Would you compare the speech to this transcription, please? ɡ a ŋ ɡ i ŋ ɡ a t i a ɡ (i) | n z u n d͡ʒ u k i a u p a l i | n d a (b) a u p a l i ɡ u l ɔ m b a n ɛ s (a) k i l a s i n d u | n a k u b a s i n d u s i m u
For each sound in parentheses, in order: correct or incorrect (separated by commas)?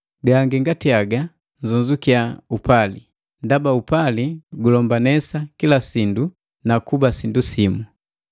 incorrect, correct, correct